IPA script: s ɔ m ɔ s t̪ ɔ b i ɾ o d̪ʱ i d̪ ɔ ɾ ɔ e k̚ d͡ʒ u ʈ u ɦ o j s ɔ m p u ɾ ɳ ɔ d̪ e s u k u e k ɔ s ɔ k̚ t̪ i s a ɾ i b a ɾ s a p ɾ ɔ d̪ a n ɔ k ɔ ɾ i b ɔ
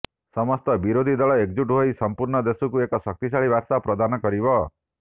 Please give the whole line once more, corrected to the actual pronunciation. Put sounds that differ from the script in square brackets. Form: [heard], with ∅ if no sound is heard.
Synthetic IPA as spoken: s ɔ m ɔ s t̪ ɔ b i ɾ o d̪ʱ i d̪ ɔ [ɭ] ɔ e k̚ d͡ʒ u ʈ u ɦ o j s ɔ m p u ɾ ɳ ɔ d̪ e s u k u e k ɔ s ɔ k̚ t̪ i s a [ɭ] i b a ɾ s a p ɾ ɔ d̪ a n ɔ k ɔ ɾ i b ɔ